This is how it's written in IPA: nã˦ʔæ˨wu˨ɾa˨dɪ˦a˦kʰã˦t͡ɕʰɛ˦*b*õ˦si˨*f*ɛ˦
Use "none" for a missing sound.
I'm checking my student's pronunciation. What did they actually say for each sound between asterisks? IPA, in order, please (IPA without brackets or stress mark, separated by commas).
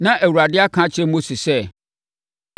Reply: m, s